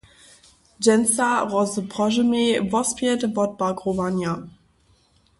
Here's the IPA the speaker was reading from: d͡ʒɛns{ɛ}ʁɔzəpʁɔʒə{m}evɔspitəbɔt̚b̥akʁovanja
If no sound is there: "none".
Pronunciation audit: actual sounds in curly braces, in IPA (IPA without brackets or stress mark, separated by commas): a, m